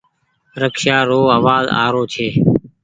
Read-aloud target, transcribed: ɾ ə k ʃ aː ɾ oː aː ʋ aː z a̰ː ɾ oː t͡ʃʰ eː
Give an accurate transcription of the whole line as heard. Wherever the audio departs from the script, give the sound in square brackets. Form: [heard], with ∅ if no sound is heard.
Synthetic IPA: ɾ ə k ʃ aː ɾ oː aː ʋ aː z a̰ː ɾ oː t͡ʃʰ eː